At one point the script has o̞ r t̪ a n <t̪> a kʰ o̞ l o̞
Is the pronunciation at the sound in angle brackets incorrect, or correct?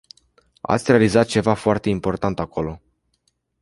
correct